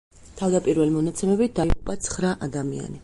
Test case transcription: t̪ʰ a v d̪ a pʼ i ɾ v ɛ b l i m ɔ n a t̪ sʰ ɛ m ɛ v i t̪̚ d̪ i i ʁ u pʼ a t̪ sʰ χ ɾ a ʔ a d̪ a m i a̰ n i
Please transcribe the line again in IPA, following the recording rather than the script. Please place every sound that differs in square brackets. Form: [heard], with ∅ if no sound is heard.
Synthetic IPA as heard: t̪ʰ a v d̪ a pʼ i ɾ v ɛ [∅] l i m ɔ n a t̪ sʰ ɛ m ɛ [b] i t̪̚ d̪ [a] i ʁ u pʼ a t̪ sʰ χ ɾ a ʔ a d̪ a m i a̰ n i